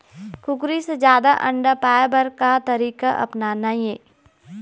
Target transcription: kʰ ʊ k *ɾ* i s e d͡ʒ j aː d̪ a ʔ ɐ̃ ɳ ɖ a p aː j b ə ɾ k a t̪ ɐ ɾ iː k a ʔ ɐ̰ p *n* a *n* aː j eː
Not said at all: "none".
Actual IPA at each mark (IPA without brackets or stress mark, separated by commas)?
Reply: ɾ, n, n